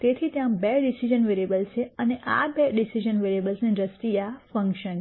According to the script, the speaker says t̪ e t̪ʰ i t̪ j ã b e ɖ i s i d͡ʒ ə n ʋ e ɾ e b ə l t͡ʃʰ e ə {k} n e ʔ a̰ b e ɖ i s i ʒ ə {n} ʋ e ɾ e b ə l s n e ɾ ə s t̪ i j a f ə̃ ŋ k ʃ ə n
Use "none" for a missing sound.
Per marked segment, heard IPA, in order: none, n

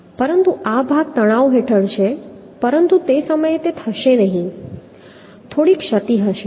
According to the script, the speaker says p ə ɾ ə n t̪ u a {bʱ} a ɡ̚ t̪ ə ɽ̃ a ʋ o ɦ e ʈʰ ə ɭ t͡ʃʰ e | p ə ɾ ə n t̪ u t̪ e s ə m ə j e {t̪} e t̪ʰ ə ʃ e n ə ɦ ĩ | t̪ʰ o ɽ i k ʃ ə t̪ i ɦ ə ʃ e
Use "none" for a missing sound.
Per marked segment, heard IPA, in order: bʱ, t̪

